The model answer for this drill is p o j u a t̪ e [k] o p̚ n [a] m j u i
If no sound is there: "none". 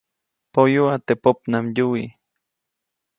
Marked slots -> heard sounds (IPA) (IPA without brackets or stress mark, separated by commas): p, a